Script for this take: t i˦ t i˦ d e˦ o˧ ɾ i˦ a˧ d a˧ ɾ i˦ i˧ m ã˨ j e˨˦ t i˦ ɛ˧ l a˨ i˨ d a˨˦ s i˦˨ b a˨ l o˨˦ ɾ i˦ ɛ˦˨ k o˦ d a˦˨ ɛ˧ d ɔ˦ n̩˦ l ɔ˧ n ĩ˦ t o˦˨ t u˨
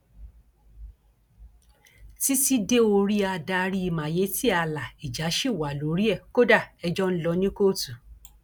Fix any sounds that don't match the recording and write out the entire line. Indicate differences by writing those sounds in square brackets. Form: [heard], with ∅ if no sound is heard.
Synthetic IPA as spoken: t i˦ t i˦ d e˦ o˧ ɾ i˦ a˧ d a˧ ɾ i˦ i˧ m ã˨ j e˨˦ t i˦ [a˧] l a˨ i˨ [d͡ʒ] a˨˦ [ʃ] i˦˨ [w] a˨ l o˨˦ ɾ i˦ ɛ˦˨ k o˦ d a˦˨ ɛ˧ [d͡ʒ] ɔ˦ n̩˦ l ɔ˧ n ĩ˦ [k] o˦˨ t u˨